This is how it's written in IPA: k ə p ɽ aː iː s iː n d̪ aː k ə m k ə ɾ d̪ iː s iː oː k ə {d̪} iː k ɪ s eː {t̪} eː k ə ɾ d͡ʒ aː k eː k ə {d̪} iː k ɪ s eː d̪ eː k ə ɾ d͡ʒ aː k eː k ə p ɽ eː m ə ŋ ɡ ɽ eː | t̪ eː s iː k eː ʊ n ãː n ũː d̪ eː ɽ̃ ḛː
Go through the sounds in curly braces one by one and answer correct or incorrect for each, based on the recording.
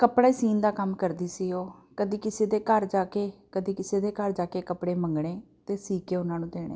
correct, incorrect: d̪, correct

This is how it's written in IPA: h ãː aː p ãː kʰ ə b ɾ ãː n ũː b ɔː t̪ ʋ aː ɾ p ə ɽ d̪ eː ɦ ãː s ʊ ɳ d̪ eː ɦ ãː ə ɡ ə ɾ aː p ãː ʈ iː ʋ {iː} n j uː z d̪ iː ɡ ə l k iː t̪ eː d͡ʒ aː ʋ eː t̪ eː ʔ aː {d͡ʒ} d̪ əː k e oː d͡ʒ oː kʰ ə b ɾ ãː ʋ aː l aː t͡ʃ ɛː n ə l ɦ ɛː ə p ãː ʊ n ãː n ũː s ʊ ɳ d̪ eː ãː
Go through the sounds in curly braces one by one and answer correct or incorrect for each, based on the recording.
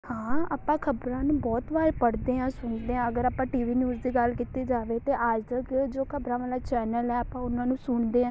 correct, correct

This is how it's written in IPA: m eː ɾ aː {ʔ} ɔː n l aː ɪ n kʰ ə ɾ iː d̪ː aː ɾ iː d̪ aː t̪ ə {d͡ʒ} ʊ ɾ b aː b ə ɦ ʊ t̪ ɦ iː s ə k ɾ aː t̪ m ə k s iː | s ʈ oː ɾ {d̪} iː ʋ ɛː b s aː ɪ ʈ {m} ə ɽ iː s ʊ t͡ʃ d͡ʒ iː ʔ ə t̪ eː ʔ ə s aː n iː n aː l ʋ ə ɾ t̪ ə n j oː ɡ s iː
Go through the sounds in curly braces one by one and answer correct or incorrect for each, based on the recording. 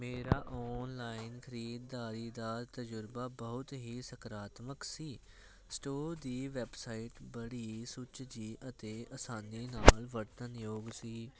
correct, correct, correct, incorrect: b

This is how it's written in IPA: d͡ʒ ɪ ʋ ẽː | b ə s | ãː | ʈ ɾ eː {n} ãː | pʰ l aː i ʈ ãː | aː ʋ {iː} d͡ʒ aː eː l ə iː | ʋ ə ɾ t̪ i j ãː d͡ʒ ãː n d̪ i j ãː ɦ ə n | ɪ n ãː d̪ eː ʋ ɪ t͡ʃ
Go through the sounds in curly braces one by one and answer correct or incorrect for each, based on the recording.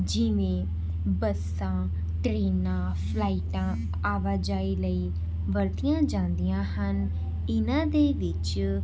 correct, incorrect: aː

